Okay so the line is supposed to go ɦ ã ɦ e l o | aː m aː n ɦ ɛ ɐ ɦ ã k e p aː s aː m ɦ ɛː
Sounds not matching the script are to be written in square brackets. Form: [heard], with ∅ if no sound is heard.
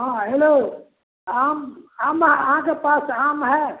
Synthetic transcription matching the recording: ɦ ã ɦ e l o | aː m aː [m] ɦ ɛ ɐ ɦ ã k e p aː s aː m ɦ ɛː